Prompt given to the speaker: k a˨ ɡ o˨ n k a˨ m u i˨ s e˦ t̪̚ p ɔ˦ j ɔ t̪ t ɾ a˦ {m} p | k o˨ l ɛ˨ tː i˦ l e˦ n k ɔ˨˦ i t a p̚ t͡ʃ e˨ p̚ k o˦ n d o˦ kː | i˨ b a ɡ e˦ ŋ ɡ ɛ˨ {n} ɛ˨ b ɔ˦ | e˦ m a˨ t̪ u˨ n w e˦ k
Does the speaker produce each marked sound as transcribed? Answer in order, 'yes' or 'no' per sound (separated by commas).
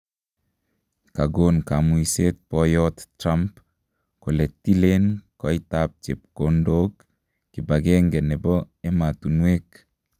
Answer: yes, yes